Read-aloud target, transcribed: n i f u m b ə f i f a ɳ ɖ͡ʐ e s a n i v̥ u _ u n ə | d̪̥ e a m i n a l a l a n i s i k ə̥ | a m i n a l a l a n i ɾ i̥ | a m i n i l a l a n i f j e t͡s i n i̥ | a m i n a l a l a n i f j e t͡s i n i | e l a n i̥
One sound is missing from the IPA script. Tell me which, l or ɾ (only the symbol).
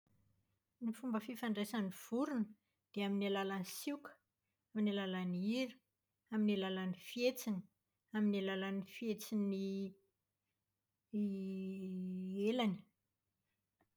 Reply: ɾ